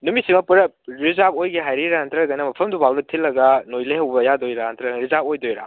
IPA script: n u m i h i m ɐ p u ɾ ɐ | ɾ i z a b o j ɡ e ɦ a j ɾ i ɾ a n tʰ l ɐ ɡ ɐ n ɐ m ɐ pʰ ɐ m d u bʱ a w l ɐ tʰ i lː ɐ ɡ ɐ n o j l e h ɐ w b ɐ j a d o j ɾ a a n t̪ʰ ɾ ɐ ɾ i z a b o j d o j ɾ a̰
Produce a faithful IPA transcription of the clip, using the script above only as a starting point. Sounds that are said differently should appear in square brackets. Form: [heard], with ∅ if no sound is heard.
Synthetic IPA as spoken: n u m i [s] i m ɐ p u ɾ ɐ | ɾ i z a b o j ɡ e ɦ a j ɾ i ɾ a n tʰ [ɾ] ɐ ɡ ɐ n ɐ m ɐ pʰ ɐ m d u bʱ a w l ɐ tʰ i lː ɐ ɡ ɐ n o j l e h ɐ w b ɐ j a d o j ɾ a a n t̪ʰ ɾ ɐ ɾ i z a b o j d o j ɾ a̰